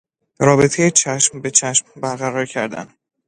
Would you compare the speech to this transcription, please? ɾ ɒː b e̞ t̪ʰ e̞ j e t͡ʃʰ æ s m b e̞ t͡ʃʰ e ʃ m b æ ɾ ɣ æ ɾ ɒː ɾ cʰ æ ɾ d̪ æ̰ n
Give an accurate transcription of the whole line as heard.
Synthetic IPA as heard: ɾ ɒː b e̞ t̪ʰ e̞ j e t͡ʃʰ æ ʃ m b e̞ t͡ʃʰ æ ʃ m b æ ɾ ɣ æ ɾ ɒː ɾ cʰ æ ɾ d̪ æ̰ n